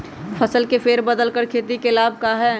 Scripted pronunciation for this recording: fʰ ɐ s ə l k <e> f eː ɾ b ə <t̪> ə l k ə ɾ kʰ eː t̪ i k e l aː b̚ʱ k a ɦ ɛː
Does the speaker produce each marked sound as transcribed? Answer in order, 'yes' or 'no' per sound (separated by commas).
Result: yes, no